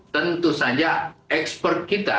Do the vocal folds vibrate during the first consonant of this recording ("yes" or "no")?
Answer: no